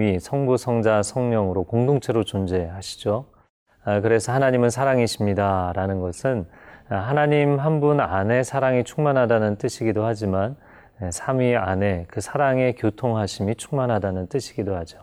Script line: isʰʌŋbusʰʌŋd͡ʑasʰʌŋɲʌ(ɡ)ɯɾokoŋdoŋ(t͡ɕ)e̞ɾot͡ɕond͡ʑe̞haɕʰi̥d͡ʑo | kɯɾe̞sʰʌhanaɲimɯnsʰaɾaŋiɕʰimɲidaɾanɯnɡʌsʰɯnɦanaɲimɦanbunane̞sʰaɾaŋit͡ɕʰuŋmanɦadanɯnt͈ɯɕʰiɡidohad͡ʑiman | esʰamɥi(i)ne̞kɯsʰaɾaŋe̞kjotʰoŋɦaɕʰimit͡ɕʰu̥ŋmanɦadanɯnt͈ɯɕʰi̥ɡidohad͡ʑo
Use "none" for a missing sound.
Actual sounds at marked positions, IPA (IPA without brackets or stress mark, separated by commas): ŋ, t͡ɕʰ, a